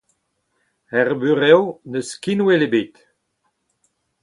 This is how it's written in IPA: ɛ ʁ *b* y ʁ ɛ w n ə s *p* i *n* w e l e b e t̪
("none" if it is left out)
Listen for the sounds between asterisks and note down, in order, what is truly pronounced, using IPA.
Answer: b, k, n

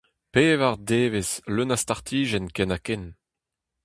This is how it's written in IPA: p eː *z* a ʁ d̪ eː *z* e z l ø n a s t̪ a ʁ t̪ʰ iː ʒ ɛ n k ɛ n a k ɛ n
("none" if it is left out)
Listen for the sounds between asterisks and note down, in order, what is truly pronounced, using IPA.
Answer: v, v

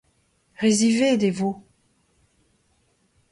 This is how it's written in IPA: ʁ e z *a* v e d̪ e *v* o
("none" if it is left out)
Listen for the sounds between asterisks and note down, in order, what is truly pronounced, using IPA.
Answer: i, v

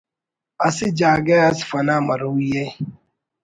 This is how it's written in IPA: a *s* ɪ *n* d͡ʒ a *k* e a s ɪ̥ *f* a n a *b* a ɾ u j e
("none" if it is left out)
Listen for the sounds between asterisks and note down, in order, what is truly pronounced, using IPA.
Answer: s, none, ɡ, f, m

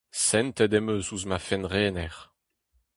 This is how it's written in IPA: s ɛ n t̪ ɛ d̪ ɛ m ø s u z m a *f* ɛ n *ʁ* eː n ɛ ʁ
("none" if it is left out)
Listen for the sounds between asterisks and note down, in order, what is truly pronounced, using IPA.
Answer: f, ʁ

